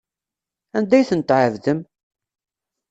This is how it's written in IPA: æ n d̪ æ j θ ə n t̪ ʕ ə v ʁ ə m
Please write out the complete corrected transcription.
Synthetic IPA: æ n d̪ æ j θ ə n t̪ ʕ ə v ð ə m

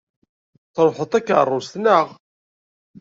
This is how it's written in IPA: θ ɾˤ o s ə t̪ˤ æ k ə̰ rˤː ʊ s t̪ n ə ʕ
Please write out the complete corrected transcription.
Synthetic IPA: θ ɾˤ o ħ ə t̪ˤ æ k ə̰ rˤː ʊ s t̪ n ə ʁ

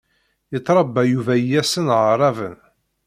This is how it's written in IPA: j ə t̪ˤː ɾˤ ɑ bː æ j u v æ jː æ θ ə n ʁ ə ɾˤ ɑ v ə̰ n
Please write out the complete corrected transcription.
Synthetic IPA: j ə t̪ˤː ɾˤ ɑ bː æ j u v æ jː æ s ə n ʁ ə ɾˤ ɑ v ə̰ n

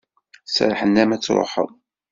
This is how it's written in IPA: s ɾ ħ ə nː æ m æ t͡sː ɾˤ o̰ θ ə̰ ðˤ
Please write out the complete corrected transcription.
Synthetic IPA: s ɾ ħ ə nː æ m æ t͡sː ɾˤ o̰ ħ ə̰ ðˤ

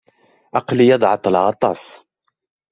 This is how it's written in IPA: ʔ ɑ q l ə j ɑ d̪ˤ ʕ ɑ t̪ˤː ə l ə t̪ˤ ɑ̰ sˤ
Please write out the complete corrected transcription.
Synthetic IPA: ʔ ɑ q l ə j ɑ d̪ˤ ʕ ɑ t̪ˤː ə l ɑ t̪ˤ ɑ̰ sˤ

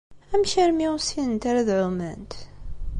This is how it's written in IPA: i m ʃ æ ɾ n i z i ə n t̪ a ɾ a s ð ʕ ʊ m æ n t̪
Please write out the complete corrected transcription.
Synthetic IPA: æ m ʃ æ ɾ m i s i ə n t̪ a ɾ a ð ʕ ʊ m æ n t̪

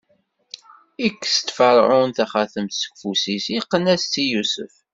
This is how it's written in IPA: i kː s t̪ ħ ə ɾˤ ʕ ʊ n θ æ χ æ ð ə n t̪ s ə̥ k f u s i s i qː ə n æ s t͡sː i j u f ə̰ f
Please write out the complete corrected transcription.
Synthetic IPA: i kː s t̪ f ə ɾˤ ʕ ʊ n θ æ χ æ θ ə m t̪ s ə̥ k f u s i s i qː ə n æ s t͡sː i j u s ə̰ f

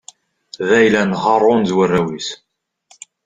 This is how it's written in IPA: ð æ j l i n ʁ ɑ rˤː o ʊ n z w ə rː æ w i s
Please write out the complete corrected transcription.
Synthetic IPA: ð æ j l æ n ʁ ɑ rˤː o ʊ n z w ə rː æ w i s

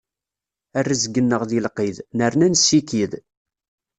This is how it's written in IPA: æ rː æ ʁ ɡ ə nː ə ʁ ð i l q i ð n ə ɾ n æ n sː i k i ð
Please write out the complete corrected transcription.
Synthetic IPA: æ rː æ z ɡ ə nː ə ʁ ð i l q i ð n ə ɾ n æ n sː i k i ð

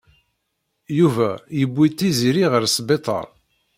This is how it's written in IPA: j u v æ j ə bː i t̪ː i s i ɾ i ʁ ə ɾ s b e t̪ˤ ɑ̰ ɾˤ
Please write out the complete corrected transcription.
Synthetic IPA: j u v æ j ə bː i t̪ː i z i ɾ i ʁ ə ɾ s b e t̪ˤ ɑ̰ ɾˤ

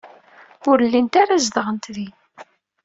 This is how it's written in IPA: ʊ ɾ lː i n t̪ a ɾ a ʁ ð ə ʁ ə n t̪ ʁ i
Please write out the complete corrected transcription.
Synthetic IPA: ʊ ɾ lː i n t̪ a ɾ a z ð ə ʁ ə n t̪ ð i

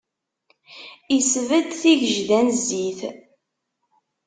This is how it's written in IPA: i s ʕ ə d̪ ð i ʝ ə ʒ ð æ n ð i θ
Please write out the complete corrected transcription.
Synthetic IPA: i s v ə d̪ θ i ʝ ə ʒ ð æ n z i θ

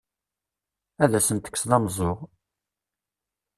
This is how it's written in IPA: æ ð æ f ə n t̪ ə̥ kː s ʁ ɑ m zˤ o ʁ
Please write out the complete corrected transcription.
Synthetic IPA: æ ð æ s ə n t̪ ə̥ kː s ð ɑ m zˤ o ʁ

